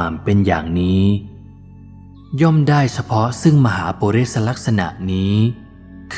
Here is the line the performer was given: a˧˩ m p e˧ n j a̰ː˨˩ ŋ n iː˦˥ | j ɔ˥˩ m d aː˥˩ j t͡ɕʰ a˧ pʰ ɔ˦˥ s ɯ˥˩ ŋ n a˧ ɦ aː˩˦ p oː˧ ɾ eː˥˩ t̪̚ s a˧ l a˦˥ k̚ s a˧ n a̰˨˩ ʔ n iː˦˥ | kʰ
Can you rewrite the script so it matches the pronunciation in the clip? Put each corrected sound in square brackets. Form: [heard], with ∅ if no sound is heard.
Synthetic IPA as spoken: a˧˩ m p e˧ n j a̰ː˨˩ ŋ n iː˦˥ | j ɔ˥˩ m d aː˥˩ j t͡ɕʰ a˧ pʰ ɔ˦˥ s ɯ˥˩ ŋ [m] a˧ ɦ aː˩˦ p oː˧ ɾ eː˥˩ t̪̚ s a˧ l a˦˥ k̚ s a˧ n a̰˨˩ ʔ n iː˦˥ | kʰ